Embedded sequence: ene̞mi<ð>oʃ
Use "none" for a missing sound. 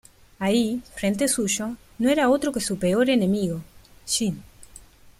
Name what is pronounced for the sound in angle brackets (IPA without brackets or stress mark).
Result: ɣ